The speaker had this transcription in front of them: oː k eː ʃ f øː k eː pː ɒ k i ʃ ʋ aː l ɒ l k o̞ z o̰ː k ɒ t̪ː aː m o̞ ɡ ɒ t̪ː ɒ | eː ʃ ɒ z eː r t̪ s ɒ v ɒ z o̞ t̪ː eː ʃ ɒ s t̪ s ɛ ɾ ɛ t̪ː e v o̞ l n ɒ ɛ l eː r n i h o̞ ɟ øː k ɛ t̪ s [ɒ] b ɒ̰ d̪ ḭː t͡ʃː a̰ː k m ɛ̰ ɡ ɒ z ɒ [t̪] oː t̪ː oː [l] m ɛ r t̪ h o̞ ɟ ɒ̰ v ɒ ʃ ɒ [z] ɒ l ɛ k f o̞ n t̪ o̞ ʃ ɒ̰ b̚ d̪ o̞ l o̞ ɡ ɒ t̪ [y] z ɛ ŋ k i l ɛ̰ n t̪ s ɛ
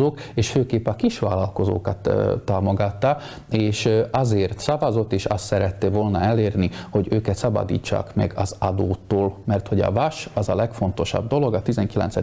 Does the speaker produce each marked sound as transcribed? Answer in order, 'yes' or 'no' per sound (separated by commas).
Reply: yes, no, yes, yes, no